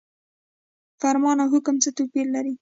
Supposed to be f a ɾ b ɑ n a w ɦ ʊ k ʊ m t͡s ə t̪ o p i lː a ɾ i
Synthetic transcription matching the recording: f a ɾ m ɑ n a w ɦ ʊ k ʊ m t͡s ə t̪ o p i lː a ɾ i